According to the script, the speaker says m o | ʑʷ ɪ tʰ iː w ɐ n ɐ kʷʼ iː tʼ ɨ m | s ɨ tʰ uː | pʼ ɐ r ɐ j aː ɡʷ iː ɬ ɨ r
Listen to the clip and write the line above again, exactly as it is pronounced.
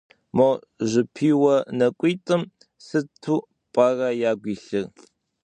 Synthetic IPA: m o | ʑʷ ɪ pʰ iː w ɐ n ɐ kʷʼ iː tʼ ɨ m | s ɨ tʰ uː | pʼ ɐ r ɐ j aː ɡʷ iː ɬ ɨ r

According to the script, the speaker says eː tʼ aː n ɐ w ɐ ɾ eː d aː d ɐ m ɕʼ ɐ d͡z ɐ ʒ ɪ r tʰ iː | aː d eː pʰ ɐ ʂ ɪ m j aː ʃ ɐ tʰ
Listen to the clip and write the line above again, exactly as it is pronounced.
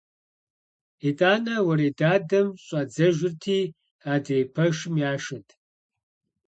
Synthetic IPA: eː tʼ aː n ɐ w ɐ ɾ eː d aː d ɐ m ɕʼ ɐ d͡z ɐ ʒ ɪ r tʰ iː | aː d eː pʰ ɐ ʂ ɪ m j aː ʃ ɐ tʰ

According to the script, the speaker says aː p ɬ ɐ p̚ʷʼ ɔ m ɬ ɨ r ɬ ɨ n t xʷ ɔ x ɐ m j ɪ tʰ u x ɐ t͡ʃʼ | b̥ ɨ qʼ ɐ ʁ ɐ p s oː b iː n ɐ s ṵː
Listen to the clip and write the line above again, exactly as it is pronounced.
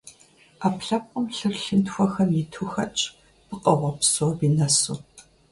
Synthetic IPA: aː p ɬ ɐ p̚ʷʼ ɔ m ɬ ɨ r ɬ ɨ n t xʷ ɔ x ɐ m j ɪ tʰ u x ɐ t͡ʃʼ | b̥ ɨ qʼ ɐ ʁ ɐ p s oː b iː n ɐ s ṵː

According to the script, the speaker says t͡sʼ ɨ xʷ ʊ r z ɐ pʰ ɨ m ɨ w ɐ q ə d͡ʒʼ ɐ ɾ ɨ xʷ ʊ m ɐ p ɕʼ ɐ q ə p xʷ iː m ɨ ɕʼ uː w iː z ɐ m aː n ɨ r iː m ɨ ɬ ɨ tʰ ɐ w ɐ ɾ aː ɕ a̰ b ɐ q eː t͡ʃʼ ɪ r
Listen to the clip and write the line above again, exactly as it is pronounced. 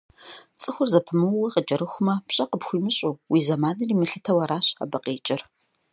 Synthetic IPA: t͡sʼ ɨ xʷ ʊ r z ɐ pʰ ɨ m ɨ w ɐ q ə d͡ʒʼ ɐ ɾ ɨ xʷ ʊ m ɐ p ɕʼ ɐ q ə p xʷ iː m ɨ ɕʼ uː w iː z ɐ m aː n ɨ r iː m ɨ ɬ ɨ tʰ ɐ w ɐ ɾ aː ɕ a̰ b ɐ q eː t͡ʃʼ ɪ r

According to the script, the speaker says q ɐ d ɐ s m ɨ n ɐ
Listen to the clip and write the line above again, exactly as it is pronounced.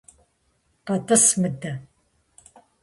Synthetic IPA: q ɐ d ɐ s m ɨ d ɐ

